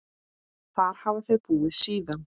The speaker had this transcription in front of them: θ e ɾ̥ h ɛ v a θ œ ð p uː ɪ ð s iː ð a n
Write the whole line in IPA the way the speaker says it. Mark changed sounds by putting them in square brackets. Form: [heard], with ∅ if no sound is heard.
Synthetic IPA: θ [a] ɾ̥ h [a] v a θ œ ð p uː ɪ ð s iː ð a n